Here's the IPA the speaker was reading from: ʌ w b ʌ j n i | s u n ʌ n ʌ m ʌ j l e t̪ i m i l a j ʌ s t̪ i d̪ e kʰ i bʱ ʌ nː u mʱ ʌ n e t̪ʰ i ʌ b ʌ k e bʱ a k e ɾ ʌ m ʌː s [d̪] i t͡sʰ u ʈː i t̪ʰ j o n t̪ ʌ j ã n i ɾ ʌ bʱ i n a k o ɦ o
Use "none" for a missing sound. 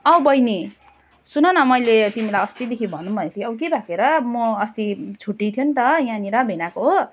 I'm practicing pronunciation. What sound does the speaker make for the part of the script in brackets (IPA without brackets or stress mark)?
t̪